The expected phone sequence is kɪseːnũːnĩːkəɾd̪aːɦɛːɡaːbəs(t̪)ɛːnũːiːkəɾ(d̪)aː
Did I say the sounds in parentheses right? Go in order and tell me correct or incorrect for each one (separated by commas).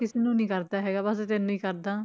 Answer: correct, correct